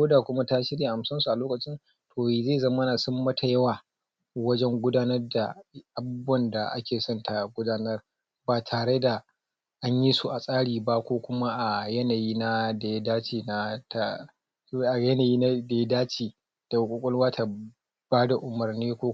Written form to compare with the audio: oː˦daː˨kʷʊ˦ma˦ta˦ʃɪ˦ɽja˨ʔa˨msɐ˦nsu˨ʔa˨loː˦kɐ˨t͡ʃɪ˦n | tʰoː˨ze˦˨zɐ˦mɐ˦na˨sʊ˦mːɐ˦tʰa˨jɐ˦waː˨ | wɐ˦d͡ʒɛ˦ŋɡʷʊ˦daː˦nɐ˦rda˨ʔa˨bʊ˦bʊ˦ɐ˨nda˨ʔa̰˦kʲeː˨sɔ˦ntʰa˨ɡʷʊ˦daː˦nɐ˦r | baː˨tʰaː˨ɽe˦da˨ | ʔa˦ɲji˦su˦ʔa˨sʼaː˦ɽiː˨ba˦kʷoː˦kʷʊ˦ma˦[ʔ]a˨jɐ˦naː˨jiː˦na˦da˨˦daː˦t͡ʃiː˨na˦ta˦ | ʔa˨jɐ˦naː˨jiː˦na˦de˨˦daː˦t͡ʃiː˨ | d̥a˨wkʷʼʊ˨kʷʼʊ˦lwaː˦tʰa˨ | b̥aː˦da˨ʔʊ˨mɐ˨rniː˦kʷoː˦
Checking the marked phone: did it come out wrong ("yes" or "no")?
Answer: no